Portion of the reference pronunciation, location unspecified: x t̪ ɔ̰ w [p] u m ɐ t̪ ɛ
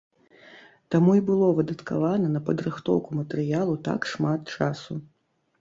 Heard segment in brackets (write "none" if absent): k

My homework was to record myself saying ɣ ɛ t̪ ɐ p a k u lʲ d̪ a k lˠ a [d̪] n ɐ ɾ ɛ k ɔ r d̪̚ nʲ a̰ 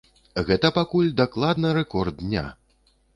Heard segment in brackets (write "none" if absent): d̪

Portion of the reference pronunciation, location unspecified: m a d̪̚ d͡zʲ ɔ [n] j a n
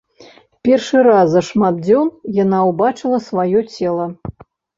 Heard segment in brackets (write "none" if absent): n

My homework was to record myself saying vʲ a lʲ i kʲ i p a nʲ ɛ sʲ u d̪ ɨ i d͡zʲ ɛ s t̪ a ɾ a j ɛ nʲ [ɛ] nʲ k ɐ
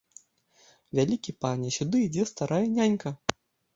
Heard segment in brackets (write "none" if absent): a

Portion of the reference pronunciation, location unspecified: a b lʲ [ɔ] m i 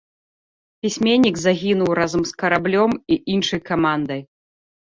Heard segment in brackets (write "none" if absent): ɔ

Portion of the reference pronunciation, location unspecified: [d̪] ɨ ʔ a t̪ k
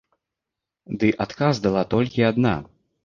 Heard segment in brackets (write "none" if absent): d̪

